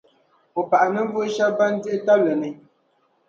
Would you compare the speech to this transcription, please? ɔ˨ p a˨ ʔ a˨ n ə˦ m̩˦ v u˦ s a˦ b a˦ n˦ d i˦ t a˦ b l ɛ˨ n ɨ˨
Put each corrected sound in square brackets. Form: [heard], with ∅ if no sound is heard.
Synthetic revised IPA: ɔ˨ p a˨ ʔ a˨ n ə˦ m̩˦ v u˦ [ʃ] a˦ b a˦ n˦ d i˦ t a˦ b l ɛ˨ n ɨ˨